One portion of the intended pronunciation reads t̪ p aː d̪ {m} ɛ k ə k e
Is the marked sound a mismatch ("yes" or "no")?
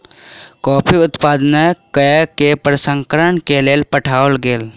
yes